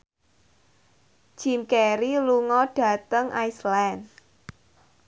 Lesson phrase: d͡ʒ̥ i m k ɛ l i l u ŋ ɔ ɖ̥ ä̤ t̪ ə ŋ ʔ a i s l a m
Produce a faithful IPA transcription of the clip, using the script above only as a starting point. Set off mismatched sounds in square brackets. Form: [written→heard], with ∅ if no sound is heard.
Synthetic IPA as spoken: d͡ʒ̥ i m k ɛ [l→ɾ] i l u ŋ ɔ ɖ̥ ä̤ t̪ ə ŋ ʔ a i s l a [m→n]